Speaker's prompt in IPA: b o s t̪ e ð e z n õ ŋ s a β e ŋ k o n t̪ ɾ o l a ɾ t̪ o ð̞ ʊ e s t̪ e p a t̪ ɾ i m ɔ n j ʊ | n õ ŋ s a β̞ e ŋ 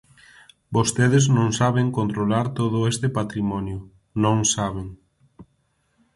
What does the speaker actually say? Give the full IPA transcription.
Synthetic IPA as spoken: b o s t̪ e ð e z n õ ŋ s a β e ŋ k o n t̪ ɾ o l a ɾ t̪ o ð̞ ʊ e s t̪ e p a t̪ ɾ i m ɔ n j ʊ | n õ ŋ s a β̞ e ŋ